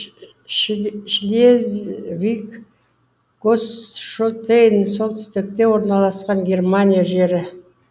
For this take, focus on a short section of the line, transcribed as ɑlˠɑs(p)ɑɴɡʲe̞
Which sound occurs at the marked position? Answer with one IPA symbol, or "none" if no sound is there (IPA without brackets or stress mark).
q